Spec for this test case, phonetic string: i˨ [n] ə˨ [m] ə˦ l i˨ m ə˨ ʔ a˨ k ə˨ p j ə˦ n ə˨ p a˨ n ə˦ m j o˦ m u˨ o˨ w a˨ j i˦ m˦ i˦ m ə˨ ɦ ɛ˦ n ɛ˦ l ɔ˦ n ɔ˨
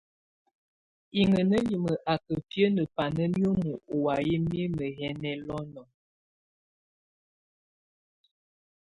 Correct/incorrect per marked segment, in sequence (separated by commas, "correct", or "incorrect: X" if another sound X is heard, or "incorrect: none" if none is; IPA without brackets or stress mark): incorrect: ŋ, incorrect: n